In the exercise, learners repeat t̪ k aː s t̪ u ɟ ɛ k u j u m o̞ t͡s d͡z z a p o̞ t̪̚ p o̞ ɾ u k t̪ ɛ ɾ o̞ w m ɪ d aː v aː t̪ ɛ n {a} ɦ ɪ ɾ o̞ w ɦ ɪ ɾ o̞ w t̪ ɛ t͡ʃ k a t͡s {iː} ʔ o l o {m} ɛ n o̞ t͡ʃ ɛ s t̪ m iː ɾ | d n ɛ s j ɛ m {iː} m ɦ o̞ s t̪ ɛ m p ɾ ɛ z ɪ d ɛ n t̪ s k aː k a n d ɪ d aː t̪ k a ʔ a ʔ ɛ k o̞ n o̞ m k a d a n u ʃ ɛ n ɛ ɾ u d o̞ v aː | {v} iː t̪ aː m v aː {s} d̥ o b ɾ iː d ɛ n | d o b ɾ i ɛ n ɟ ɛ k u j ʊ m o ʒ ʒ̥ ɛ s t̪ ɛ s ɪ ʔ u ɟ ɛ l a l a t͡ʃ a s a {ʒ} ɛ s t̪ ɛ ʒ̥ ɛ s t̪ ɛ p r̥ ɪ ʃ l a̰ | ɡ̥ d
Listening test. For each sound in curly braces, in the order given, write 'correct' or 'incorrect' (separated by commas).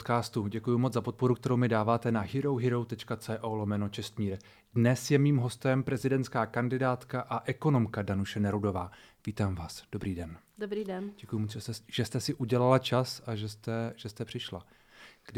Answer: correct, incorrect, correct, correct, correct, correct, correct